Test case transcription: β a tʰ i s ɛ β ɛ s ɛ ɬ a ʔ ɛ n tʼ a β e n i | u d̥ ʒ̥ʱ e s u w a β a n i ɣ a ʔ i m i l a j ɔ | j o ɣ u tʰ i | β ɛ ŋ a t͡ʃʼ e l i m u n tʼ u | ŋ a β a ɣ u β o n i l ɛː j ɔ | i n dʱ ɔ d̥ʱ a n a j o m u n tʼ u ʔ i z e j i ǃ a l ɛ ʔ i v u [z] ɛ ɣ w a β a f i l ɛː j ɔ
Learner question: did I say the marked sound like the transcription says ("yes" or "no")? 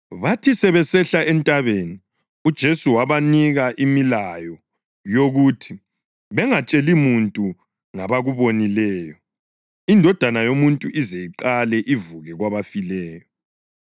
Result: no